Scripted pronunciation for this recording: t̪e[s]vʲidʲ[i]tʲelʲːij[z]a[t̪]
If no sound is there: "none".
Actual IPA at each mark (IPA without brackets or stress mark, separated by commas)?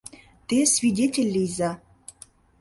s, e, z, none